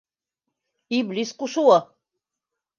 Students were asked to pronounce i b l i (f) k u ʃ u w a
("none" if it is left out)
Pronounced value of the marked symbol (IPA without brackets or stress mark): s